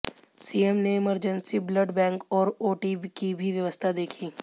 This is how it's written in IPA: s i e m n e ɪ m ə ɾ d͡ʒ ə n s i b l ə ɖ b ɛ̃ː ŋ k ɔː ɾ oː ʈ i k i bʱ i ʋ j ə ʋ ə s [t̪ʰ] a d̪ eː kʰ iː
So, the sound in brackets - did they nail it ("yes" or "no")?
yes